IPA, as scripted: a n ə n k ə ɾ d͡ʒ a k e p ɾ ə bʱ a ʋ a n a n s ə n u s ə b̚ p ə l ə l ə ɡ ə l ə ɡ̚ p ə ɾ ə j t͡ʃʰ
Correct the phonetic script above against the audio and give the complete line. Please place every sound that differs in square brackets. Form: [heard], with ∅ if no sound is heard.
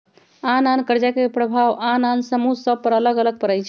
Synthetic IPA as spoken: a n [a] n k ə ɾ d͡ʒ a k e p ɾ ə bʱ a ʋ a n a n s ə [m] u s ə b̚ p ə [ɾ] ə l ə ɡ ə l ə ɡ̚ p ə ɾ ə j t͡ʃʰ